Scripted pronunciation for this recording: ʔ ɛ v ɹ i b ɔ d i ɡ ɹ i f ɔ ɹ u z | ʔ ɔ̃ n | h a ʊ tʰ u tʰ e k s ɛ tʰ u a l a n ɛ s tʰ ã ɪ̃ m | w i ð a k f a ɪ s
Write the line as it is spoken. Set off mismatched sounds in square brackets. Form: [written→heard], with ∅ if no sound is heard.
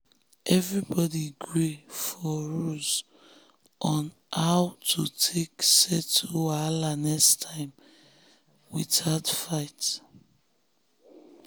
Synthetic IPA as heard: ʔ ɛ v ɹ i b ɔ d i ɡ ɹ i f ɔ ɹ u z | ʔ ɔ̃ n | h a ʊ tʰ u tʰ e k s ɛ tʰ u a l a n ɛ s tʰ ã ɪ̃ m | w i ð a [k→t] f a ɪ [s→t]